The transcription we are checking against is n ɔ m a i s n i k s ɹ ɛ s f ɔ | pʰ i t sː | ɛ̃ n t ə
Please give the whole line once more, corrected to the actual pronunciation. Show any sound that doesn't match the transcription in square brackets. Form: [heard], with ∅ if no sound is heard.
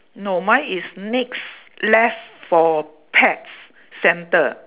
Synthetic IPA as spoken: n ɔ m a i s n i k s [l] ɛ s f ɔ | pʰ [ɛ] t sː | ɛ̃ n t ə